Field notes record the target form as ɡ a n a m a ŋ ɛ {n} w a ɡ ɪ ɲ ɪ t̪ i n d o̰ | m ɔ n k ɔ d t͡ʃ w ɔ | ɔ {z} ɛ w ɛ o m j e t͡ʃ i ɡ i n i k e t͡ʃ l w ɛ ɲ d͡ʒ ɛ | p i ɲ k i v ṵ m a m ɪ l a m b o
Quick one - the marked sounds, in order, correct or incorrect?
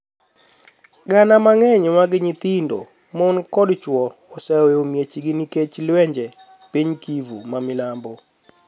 incorrect: ɲ, incorrect: s

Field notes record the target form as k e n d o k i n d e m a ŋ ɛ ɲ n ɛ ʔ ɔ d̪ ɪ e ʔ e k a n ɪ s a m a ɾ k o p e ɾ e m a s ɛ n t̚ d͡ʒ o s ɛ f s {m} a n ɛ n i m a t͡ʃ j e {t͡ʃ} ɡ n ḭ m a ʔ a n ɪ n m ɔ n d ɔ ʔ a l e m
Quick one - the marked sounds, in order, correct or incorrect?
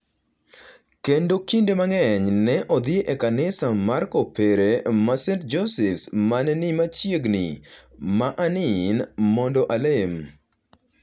correct, incorrect: none

